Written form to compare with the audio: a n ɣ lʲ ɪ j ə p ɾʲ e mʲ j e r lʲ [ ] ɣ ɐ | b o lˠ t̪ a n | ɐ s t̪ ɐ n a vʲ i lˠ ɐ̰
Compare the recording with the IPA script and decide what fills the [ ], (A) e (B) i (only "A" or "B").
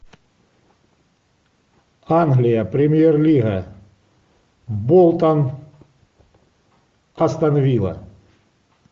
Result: B